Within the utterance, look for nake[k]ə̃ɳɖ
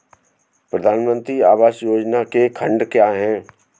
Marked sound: incorrect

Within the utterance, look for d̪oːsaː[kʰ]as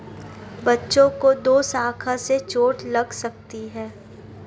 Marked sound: correct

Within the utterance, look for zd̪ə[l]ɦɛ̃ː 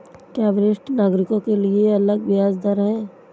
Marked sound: incorrect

